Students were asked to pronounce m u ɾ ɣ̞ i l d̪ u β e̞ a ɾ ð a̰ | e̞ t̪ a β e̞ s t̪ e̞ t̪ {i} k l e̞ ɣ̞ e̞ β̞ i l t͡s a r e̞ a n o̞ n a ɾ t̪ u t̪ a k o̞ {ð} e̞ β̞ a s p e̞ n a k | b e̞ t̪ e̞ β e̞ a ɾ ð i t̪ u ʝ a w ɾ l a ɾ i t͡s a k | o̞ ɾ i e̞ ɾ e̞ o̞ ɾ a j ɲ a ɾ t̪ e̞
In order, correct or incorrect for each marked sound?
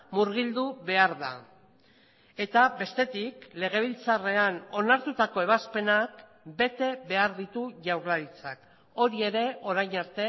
correct, incorrect

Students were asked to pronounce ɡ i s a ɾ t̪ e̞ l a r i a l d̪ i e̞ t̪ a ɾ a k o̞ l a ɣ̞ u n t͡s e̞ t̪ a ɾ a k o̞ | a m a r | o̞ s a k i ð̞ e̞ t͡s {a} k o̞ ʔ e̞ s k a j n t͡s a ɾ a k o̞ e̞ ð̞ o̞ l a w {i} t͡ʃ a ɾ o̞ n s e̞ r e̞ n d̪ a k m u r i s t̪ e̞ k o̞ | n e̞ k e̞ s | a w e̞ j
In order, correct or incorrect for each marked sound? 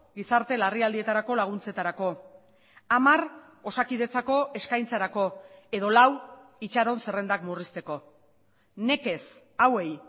correct, correct

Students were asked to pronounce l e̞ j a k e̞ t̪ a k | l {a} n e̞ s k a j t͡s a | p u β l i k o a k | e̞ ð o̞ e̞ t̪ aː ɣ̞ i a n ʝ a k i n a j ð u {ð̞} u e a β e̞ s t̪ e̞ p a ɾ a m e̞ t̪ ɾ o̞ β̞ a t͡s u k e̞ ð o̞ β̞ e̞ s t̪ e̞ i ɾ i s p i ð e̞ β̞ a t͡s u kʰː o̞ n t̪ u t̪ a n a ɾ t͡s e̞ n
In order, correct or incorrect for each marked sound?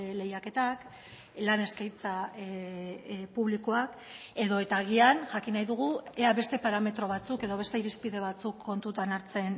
correct, incorrect

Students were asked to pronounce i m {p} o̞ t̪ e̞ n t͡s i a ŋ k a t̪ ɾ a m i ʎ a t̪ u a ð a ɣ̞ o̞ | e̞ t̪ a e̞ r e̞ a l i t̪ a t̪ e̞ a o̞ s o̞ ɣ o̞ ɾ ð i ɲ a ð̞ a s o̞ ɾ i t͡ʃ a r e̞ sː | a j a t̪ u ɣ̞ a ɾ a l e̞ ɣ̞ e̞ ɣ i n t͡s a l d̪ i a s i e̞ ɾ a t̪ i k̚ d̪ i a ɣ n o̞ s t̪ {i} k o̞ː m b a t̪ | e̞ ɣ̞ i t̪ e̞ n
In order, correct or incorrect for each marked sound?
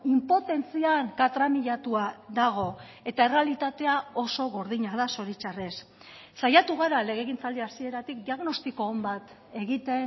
correct, correct

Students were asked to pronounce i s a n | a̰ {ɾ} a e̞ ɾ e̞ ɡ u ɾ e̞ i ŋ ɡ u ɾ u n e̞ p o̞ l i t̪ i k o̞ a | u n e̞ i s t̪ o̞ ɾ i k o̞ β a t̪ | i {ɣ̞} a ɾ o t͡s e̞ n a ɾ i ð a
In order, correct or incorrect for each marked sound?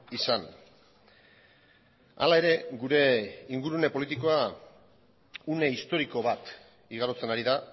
incorrect, correct

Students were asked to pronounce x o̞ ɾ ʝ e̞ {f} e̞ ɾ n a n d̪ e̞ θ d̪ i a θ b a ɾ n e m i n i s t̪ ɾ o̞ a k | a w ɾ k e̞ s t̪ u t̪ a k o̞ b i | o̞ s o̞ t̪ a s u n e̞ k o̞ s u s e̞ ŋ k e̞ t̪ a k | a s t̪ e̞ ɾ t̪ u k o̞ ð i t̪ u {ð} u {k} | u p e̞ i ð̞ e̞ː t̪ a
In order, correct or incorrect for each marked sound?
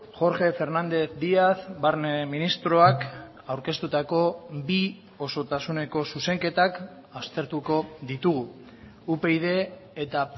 correct, incorrect, incorrect

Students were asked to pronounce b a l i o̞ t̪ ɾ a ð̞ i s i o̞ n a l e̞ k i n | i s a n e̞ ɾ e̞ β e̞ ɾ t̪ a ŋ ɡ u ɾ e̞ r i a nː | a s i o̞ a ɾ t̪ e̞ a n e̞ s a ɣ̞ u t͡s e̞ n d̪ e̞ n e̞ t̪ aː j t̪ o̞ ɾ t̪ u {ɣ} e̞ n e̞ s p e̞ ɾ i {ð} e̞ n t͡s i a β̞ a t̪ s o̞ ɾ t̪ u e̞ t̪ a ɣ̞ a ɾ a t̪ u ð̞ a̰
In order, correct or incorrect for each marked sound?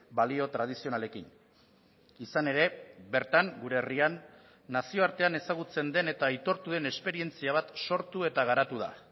incorrect, incorrect

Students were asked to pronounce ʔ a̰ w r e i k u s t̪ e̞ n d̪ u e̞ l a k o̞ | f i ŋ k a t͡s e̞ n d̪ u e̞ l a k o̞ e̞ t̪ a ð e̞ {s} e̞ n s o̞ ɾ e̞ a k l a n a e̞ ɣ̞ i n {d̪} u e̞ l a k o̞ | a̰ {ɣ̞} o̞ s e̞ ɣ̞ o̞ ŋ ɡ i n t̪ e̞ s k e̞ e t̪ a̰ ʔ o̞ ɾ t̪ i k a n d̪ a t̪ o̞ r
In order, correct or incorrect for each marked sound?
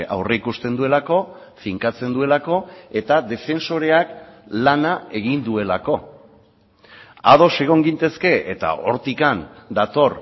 incorrect, correct, incorrect

